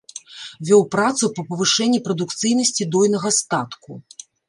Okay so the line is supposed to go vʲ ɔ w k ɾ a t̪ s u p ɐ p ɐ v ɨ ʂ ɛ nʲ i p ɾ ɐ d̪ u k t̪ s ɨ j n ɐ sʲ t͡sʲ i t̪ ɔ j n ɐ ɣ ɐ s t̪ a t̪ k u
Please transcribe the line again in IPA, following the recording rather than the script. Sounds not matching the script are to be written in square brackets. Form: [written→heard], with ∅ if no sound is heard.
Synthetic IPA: vʲ ɔ w [k→p] ɾ a t̪ s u p ɐ p ɐ v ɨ ʂ ɛ [nʲ→nʲː] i p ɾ ɐ d̪ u k t̪ s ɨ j n ɐ sʲ t͡sʲ i [t̪→d̪] ɔ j n ɐ ɣ ɐ s t̪ a t̪ k u